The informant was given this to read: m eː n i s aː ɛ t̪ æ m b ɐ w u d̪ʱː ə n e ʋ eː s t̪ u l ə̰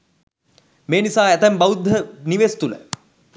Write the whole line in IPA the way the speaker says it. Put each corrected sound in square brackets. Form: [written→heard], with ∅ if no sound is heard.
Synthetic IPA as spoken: m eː n i s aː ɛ t̪ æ m b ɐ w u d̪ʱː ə n [e→i] ʋ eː s t̪ u l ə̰